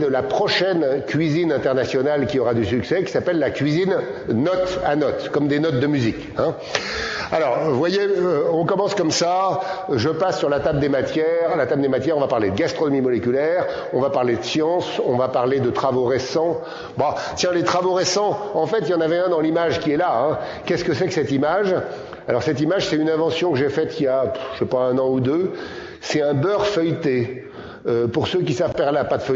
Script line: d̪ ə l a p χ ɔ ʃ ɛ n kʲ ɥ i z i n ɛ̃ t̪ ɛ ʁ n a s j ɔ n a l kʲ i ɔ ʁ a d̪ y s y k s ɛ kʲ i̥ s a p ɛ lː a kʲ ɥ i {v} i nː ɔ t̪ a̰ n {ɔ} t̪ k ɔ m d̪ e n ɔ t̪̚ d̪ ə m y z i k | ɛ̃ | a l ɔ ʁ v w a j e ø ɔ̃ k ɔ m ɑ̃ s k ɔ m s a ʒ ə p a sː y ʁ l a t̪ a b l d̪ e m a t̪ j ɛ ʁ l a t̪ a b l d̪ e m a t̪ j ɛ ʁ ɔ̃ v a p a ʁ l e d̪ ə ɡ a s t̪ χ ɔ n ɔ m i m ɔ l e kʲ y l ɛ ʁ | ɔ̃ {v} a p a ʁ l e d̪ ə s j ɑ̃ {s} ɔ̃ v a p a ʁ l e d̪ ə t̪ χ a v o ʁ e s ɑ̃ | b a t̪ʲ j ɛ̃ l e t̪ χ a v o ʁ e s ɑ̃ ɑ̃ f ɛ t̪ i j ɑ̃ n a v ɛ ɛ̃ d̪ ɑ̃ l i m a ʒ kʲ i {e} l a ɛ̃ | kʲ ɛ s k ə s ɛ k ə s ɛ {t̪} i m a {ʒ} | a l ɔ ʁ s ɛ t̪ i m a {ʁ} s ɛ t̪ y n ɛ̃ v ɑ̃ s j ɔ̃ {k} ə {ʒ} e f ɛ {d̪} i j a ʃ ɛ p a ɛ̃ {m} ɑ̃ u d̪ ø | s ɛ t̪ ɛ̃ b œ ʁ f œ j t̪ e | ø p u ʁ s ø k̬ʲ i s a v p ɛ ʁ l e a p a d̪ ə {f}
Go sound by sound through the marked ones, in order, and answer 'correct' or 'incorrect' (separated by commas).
incorrect, correct, correct, correct, incorrect, correct, correct, incorrect, correct, correct, incorrect, incorrect, correct